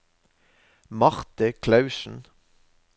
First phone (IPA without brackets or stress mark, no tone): m